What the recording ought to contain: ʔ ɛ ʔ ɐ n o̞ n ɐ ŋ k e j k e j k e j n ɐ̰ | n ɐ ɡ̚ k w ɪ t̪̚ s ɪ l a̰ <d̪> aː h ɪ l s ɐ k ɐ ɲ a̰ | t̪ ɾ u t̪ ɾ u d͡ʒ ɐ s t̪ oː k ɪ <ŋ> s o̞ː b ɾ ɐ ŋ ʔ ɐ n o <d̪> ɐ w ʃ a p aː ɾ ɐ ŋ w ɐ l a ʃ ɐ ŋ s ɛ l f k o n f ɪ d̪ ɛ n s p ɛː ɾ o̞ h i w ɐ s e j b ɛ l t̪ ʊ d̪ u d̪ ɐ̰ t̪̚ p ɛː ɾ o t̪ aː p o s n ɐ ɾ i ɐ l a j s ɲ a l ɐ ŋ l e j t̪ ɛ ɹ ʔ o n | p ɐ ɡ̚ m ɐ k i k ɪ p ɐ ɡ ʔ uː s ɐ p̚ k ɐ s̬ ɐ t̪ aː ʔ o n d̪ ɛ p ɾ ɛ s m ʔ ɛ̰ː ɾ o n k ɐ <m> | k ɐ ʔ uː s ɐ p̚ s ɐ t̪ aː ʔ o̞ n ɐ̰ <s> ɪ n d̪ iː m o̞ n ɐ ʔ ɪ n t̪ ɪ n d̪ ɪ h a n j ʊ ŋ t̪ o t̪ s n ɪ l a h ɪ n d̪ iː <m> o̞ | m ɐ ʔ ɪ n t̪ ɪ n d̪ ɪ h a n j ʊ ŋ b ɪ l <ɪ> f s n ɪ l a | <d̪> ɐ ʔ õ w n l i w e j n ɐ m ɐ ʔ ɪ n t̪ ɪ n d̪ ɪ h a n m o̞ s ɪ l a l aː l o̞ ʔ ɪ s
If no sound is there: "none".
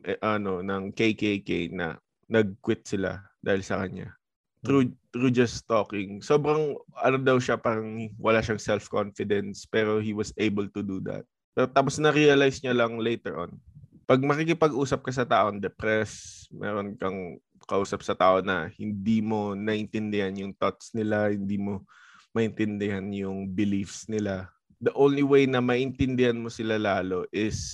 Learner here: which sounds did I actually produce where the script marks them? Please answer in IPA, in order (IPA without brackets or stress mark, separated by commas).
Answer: d̪, ŋ, d̪, ŋ, h, m, i, d̪